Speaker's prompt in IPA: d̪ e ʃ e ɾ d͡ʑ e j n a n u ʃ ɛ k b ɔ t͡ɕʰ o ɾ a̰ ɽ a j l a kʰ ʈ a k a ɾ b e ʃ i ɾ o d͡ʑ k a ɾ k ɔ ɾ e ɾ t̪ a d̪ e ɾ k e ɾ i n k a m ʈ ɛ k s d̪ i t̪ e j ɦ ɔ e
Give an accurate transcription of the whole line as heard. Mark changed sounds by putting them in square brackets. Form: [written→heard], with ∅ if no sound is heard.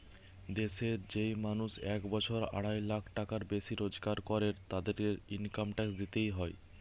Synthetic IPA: d̪ e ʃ e ɾ d͡ʑ e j [n→m] a n u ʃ ɛ k b ɔ t͡ɕʰ o ɾ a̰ ɽ a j l a kʰ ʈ a k a ɾ b e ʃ i ɾ o d͡ʑ k a ɾ k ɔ ɾ e ɾ t̪ a d̪ e ɾ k e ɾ i n k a m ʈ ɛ k s d̪ i t̪ e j ɦ ɔ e

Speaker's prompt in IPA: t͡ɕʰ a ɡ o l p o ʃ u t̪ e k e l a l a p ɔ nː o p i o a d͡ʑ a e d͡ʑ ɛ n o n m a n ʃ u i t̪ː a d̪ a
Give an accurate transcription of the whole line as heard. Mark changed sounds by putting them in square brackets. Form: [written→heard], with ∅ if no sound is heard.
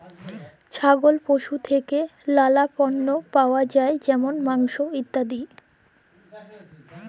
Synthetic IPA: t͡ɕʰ a ɡ o l p o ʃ u [t̪→t̪ʰ] e k e l a l a p ɔ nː o p [i→a] o a d͡ʑ a e d͡ʑ ɛ [n→m] o n m a [n→ŋ] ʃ [u→o] i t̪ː a d̪ [a→i]

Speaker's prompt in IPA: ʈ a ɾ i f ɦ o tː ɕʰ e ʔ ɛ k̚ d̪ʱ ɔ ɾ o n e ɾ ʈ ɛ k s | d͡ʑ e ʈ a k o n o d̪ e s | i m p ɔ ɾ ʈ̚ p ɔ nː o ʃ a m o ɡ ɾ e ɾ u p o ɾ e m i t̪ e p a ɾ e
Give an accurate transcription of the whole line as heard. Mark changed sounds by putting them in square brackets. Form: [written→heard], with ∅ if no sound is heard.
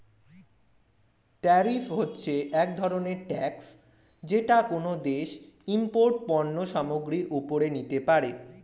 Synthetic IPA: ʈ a ɾ i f ɦ o tː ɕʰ e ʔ ɛ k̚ d̪ʱ ɔ ɾ o n e ɾ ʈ ɛ k s | d͡ʑ e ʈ a k o n o d̪ e [s→ʃ] | i m p [ɔ→o] ɾ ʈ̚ p ɔ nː o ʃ a m o ɡ ɾ [e→i] ɾ u p o ɾ e [m→n] i t̪ e p a ɾ e

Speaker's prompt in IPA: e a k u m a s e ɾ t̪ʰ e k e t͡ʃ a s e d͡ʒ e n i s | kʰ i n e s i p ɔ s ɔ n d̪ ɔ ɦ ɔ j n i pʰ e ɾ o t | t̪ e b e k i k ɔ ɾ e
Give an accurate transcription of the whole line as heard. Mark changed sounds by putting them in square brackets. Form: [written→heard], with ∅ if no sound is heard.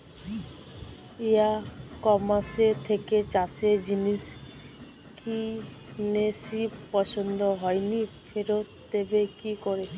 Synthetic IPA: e a k [u→ɔ] m a s e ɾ t̪ʰ e k e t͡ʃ a s e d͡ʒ [e→i] n i s | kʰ i n e s i p ɔ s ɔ n d̪ ɔ ɦ ɔ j n i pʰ e ɾ o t | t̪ e b e k i k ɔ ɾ e

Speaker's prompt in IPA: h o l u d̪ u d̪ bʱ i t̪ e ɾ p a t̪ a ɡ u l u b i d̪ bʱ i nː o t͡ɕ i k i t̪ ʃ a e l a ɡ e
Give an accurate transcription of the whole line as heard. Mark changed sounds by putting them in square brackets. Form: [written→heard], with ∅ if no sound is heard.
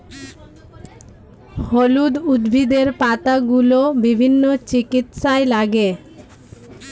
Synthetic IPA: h o l u d̪ u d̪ bʱ i [t̪→d̪] e ɾ p a t̪ a ɡ u l [u→o] b i [d̪→∅] bʱ i nː o t͡ɕ i k i t̪ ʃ a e l a ɡ e

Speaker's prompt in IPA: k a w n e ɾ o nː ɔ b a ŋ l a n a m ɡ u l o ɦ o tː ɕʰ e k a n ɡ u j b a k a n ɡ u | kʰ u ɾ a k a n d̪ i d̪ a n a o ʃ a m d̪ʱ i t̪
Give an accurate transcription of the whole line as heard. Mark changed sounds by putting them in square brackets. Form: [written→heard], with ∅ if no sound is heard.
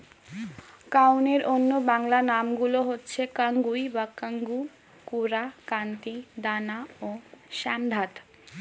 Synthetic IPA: k a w n e ɾ o nː [ɔ→o] b a ŋ l a n a m ɡ u l o ɦ o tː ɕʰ e k a [n→ŋ] ɡ u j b a k a [n→ŋ] ɡ u | [kʰ→k] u ɾ a k a n [d̪→t̪] i d̪ a n a o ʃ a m d̪ʱ [i→a] t̪

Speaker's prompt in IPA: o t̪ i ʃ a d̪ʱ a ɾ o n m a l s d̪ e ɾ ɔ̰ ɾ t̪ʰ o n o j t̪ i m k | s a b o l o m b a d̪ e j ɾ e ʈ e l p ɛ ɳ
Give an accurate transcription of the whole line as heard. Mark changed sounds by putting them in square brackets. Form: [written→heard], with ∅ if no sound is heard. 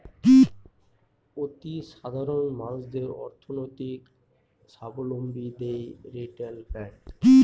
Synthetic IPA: o t̪ i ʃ a d̪ʱ a ɾ o n m a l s d̪ e ɾ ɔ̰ ɾ t̪ʰ o n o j t̪ i [m→∅] k | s a b o l o m b [a→i] d̪ e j ɾ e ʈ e l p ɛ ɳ

